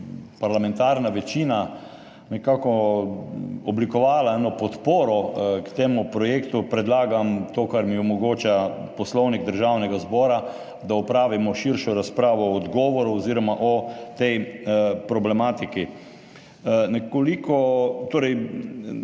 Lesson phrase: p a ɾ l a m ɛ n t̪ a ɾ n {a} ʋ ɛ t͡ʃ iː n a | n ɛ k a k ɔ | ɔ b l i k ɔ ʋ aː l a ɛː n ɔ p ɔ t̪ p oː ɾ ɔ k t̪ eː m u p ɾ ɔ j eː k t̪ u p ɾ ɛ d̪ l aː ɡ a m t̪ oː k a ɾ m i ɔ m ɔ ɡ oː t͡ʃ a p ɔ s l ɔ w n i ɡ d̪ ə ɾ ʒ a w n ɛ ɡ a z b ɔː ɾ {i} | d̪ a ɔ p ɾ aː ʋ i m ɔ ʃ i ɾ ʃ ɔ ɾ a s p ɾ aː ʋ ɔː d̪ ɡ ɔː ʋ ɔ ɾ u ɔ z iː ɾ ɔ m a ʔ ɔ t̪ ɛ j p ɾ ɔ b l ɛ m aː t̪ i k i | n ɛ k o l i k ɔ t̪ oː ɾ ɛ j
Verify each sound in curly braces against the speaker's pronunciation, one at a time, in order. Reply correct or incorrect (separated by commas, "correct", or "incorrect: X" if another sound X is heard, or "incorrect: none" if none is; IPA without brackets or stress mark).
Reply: correct, incorrect: a